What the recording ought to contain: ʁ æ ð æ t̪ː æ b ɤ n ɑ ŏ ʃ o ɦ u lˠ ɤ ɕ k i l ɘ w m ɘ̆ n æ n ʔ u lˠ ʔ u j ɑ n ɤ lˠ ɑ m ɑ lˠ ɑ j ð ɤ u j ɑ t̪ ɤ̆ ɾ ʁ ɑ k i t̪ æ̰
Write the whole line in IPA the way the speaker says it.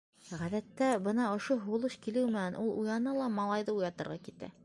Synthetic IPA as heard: ʁ æ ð æ t̪ː æ b ɤ n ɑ ŏ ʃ o ɦ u lˠ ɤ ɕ k i l ɘ w m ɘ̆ n æ n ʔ u lˠ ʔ u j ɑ n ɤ lˠ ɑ m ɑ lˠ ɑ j ð ɤ u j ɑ t̪ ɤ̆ ɾ ʁ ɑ k i t̪ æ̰